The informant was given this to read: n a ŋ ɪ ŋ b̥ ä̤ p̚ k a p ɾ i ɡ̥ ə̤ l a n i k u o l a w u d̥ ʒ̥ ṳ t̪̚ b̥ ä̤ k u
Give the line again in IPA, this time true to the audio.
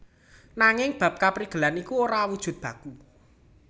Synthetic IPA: n a ŋ ɪ ŋ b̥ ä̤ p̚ k a p ɾ i ɡ̥ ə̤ l a n i k u o ɾ a w u d̥ ʒ̥ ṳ t̪̚ b̥ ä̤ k u